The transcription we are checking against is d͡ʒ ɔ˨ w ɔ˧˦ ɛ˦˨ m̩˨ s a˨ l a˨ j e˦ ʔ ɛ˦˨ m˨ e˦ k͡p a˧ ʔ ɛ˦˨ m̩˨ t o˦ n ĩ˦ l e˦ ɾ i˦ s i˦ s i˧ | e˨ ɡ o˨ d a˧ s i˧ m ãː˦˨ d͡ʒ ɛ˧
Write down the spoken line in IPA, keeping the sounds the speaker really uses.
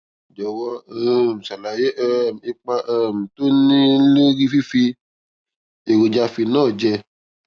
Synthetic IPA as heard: d͡ʒ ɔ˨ w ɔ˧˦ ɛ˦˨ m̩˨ s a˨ l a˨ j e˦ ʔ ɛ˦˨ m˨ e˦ k͡p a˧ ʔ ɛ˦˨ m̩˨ t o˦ n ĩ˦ l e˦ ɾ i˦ f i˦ f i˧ | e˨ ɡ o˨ d͡ʒ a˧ f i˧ n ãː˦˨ d͡ʒ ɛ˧